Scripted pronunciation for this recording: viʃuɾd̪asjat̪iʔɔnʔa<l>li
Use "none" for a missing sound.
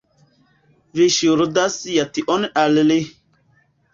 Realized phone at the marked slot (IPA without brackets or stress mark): l